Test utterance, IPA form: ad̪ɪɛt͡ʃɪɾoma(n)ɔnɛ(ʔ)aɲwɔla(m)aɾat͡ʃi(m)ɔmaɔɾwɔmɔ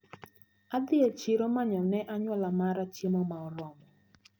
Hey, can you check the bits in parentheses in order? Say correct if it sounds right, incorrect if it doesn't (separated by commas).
incorrect, correct, correct, correct